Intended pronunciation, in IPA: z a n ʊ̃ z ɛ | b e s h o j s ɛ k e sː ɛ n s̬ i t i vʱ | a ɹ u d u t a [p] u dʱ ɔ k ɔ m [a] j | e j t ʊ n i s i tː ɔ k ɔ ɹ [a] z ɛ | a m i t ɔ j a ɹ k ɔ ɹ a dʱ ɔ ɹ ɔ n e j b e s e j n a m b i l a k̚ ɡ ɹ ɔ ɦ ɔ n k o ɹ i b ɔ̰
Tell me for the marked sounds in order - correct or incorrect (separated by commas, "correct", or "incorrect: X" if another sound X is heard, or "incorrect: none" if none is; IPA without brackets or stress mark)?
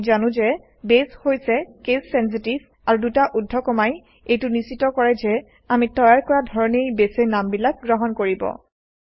incorrect: ʔ, correct, incorrect: ɛ